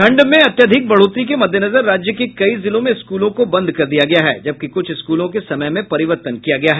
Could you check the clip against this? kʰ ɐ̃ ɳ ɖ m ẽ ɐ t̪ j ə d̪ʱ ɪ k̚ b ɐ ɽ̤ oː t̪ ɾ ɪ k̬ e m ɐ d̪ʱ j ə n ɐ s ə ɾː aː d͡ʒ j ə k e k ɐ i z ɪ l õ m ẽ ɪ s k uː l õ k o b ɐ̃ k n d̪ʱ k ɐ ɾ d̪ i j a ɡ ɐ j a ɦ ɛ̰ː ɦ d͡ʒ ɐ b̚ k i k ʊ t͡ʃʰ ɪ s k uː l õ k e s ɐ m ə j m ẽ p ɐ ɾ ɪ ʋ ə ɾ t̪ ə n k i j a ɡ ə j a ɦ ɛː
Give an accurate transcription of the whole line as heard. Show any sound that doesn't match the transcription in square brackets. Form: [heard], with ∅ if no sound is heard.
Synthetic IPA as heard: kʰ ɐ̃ ɳ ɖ m ẽ ɐ t̪ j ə d̪ʱ ɪ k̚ b ɐ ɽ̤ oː t̪ ɾ [i] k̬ e m ɐ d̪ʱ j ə n ɐ [z] ə ɾː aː d͡ʒ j ə k e k ɐ i z ɪ l õ m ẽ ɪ s k uː l õ k o b ɐ̃ [∅] n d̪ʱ k ɐ ɾ d̪ i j a ɡ ɐ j a ɦ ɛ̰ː [∅] d͡ʒ ɐ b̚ k i k ʊ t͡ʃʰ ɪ s k uː l õ k e s ɐ m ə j m ẽ p ɐ ɾ ɪ ʋ ə ɾ t̪ ə n k i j a ɡ [ɐ] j a ɦ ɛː